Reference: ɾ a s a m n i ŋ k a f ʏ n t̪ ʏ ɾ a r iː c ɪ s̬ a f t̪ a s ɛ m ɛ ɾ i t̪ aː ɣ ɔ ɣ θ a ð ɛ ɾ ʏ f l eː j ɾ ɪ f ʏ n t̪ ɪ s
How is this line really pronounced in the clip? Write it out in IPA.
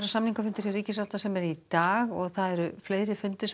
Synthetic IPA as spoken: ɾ a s a m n i ŋ k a f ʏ n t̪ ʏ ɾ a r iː c ɪ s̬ a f t̪ a s ɛ m ɛ ɾ i t̪ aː ɣ ɔ ɣ θ a ð ɛ ɾ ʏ f l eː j ɾ ɪ f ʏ n t̪ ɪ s